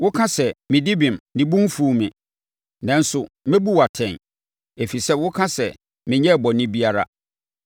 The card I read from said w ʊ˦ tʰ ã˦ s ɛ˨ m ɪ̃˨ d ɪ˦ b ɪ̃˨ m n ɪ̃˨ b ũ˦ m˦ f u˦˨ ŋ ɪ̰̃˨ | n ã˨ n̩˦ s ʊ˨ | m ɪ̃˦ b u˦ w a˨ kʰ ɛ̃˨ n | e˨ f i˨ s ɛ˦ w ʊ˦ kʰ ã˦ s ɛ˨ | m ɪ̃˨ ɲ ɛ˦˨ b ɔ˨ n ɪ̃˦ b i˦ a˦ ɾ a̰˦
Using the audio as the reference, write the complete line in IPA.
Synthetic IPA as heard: w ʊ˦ kʰ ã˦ s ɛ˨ m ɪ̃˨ d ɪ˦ b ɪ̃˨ m n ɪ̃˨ b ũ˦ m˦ f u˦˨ m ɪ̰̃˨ | n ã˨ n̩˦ s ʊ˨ | m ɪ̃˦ b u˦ w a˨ tʰ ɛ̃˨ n | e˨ f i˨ s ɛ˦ w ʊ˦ kʰ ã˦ s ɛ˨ | m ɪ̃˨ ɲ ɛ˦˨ b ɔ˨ n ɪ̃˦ b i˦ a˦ ɾ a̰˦